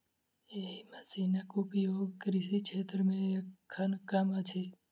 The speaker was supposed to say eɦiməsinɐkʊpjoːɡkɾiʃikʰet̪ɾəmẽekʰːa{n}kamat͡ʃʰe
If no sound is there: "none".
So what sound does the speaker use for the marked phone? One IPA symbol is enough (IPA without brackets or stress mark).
n